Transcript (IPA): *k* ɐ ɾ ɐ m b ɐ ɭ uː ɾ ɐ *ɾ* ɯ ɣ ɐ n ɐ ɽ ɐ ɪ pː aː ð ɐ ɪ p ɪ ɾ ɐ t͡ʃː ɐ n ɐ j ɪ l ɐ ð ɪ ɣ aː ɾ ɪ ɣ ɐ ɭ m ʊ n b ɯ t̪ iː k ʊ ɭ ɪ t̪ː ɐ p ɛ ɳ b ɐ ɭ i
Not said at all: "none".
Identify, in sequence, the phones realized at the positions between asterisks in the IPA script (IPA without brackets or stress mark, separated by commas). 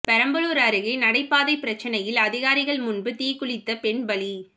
p, ɾ